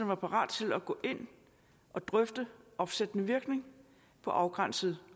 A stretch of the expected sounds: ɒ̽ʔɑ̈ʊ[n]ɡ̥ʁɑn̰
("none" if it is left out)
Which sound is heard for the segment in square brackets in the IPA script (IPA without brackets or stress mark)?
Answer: none